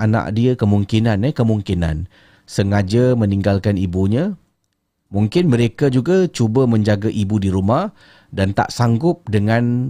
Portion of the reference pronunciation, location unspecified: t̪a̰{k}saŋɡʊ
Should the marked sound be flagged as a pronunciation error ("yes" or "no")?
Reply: yes